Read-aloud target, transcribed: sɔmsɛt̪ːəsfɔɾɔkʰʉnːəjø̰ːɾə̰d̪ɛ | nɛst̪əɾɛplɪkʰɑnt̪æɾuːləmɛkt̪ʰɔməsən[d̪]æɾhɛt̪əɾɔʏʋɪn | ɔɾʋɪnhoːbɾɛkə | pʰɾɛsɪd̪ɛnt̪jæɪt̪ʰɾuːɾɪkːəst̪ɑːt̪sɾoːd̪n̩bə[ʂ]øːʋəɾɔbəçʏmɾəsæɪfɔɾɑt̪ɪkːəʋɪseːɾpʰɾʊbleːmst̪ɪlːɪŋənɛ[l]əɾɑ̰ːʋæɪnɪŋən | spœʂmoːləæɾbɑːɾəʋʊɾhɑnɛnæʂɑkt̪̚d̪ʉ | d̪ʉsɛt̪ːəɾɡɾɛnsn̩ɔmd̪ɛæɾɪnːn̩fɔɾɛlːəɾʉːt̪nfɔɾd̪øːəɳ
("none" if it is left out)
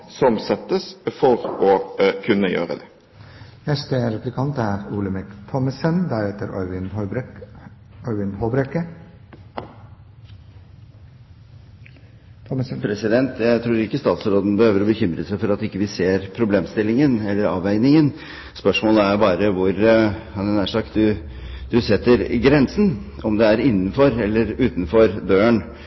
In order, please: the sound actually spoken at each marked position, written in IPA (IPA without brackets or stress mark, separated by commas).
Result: d̪, h, lː